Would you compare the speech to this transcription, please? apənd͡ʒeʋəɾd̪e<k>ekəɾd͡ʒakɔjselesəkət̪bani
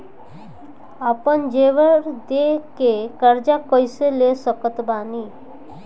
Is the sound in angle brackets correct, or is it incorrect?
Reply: correct